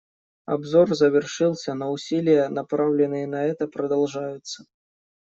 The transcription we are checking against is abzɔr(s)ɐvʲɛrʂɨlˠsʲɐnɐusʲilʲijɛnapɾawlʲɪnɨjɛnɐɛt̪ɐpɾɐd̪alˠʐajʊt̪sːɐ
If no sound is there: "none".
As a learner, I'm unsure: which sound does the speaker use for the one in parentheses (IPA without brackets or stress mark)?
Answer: z